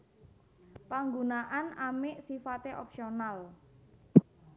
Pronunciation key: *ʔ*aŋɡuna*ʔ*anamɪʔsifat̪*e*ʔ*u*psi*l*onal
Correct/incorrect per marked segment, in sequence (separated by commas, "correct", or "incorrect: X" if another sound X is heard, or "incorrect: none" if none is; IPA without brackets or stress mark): incorrect: p, correct, correct, incorrect: ɔ, incorrect: none